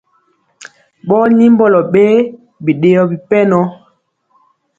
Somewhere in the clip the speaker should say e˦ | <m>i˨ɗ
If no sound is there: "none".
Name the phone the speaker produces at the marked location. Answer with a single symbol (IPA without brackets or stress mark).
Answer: b